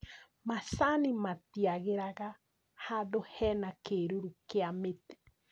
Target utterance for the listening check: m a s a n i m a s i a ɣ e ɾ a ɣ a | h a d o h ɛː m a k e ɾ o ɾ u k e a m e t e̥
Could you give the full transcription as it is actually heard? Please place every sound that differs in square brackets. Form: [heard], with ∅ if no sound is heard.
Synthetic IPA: m a s a n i m a [t] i a ɣ e ɾ a ɣ a | h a d o h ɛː [n] a k e ɾ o ɾ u k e a m e t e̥

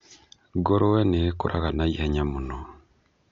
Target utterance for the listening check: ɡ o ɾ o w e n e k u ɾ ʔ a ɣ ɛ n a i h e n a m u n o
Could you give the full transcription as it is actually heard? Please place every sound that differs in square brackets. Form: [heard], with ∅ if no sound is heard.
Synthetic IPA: ɡ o ɾ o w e n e k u ɾ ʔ a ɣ [a] n a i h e [ɲ] a m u n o

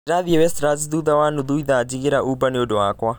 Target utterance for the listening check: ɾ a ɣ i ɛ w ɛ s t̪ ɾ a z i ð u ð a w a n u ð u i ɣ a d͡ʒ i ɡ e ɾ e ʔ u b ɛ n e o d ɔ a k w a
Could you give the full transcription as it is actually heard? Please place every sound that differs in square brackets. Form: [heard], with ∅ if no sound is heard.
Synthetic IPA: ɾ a [ð] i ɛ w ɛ s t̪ ɾ a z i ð u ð a w a n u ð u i [ð] a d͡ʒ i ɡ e ɾ [a] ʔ u b [a] n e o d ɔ a k w a

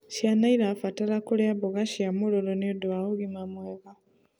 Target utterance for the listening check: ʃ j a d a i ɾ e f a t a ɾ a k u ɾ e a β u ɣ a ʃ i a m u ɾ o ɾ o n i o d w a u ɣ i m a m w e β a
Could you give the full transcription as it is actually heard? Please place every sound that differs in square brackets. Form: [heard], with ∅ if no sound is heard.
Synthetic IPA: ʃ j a [n] a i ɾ [a] f a t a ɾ a k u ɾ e a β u ɣ a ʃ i a m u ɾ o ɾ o n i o d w a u ɣ i m a m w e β a

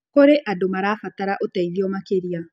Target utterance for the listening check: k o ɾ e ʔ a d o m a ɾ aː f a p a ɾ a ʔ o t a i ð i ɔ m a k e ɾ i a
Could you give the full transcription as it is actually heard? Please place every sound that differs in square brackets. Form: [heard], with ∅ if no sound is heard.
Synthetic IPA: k o ɾ e ʔ a d o m a ɾ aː f a [t] a ɾ a ʔ o t a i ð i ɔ m a k e ɾ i a

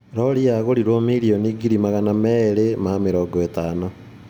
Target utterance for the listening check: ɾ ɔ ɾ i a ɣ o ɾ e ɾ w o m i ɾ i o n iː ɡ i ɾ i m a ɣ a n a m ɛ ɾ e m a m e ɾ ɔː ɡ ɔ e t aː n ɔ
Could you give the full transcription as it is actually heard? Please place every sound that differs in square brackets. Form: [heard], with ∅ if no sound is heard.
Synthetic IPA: ɾ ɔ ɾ i a ɣ o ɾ [i] ɾ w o m i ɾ i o n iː ɡ i ɾ i m a ɣ a n a m ɛ ɾ e m a m e ɾ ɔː ɡ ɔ e t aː n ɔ

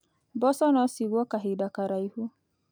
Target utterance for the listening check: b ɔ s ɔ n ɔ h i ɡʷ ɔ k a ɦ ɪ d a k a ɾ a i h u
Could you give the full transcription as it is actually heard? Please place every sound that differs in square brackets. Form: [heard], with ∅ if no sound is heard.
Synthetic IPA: b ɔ s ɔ n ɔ [s] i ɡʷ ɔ k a ɦ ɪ d a k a ɾ a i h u

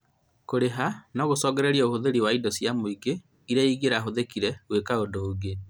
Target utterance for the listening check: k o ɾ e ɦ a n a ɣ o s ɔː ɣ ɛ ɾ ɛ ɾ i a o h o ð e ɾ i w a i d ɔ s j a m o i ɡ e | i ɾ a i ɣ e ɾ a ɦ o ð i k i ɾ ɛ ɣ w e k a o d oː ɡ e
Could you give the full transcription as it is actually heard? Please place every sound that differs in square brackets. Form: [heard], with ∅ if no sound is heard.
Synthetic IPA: k o ɾ e ɦ a n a ɣ o s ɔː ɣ ɛ ɾ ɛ ɾ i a o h o ð e ɾ i w a i d ɔ s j a m o i ɡ e | i ɾ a i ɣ e ɾ a ɦ o ð [e] k i ɾ ɛ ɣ w e k a o d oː ɡ e

